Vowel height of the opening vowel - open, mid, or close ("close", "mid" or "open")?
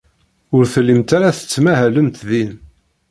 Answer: close